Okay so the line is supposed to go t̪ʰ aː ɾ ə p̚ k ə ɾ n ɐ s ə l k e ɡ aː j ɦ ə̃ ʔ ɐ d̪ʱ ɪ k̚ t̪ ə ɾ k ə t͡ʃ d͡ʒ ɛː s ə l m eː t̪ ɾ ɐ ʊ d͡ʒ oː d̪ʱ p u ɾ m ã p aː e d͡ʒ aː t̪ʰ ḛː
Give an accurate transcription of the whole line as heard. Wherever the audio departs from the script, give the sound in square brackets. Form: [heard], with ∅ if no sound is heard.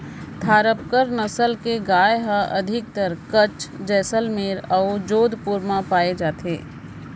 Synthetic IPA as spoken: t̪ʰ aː ɾ ə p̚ k ə ɾ n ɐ s ə l k e ɡ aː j ɦ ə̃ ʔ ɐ d̪ʱ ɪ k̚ t̪ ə ɾ k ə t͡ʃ d͡ʒ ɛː s ə l m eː [∅] ɾ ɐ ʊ d͡ʒ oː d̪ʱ p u ɾ m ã p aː e d͡ʒ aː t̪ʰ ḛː

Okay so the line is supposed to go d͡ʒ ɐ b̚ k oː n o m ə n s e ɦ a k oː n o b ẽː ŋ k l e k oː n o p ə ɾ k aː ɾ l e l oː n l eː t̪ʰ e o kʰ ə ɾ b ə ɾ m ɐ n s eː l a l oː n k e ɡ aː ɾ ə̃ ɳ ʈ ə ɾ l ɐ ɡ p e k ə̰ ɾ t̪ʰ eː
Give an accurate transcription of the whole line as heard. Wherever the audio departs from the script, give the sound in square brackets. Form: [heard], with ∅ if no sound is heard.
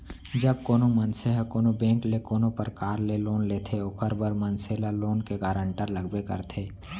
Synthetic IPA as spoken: d͡ʒ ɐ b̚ k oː n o m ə n s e ɦ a k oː n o b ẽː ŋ k l e k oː n o p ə ɾ k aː ɾ l e l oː n l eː t̪ʰ e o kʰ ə ɾ b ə ɾ m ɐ n s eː l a l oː n k e ɡ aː ɾ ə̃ ɳ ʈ ə ɾ l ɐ ɡ [b] e k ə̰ ɾ t̪ʰ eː

